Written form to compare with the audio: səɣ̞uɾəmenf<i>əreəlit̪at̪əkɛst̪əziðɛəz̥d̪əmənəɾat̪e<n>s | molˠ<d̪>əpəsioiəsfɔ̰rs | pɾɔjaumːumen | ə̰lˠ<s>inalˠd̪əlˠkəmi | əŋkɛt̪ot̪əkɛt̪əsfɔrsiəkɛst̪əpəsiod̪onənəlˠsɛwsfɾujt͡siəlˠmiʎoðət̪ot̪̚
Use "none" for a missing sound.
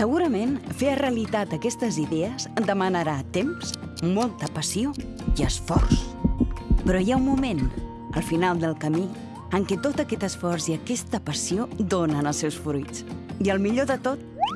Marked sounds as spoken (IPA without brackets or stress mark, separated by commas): e, m, t̪, f